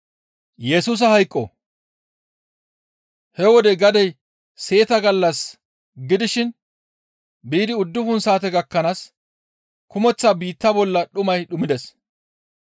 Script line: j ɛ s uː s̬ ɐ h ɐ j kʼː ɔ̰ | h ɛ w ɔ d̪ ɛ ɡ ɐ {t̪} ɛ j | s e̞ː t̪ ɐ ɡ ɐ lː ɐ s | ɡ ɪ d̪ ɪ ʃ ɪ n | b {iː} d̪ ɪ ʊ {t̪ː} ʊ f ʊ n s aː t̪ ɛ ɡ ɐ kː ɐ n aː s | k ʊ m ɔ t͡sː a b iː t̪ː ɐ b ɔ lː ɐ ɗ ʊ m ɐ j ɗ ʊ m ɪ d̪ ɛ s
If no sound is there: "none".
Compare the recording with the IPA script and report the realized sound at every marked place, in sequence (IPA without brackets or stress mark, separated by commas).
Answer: d̪, iː, d̪ː